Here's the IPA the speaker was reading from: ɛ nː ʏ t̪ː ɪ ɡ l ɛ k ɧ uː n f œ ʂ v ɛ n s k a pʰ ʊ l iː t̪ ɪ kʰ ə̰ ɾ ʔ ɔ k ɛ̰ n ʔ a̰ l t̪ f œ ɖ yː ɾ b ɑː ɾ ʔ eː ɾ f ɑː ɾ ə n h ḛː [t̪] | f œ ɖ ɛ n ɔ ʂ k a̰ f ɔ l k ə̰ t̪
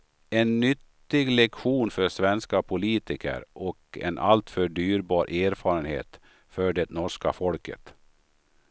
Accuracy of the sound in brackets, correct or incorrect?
correct